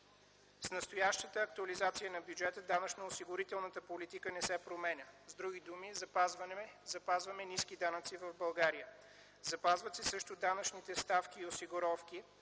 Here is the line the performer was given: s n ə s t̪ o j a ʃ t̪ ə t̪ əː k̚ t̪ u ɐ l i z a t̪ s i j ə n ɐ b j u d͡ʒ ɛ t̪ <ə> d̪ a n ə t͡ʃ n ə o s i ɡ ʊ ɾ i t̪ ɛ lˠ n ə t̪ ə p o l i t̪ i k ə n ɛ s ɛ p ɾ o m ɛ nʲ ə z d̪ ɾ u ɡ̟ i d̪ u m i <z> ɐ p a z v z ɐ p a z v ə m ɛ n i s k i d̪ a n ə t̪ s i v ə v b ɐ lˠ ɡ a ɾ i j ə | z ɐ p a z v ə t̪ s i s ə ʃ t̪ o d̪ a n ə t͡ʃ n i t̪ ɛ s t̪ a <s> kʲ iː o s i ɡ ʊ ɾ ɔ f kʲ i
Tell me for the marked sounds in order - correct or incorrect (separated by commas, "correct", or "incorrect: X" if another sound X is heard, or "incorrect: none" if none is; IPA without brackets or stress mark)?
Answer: correct, correct, incorrect: f